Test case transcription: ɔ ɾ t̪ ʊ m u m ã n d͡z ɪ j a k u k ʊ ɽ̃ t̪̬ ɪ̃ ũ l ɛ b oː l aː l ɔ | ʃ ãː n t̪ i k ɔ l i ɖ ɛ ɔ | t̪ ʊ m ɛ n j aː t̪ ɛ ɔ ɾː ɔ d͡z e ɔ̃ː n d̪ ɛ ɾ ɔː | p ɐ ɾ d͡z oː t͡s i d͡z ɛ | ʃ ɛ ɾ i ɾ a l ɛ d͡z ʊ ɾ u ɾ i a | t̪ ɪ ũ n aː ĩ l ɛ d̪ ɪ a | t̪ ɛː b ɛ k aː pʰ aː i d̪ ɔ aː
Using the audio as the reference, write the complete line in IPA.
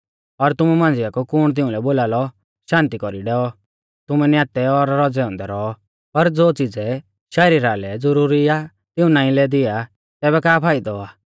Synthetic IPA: ɔ ɾ t̪ ʊ m u m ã n d͡z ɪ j a k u k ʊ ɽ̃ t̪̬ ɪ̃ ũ l ɛ b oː l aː l ɔ | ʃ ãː n t̪ i k ɔ ɾ i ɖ ɛ ɔ | t̪ ʊ m ɛ n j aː t̪ ɛ ɔ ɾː ɔ d͡z ɛ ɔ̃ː n d̪ ɛ ɾ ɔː | p ɐ ɾ d͡z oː t͡s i d͡z ɛ | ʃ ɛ ɾ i ɾ a l ɛ d͡z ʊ ɾ u ɾ i a | t̪ ɪ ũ n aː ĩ l ɛ d̪ ɪ a | t̪ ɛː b ɛ k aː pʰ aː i d̪ ɔ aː